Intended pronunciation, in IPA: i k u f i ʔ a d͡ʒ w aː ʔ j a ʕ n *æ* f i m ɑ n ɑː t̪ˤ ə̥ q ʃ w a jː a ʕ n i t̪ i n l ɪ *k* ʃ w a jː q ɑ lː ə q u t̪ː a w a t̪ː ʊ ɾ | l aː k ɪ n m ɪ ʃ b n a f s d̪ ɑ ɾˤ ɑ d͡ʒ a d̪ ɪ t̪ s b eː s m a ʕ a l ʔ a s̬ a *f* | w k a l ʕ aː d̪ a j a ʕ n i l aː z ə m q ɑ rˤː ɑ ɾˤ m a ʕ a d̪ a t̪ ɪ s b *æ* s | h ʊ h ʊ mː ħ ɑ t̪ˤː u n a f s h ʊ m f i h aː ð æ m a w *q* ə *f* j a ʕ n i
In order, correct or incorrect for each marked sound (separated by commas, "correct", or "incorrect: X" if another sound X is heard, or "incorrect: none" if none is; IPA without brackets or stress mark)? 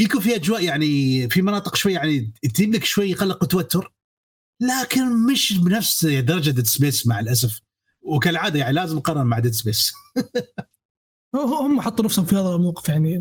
incorrect: i, correct, correct, incorrect: e, correct, correct